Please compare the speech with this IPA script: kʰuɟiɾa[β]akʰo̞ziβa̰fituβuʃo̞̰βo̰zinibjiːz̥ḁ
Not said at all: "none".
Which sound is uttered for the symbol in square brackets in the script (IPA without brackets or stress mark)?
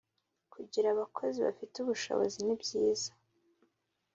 β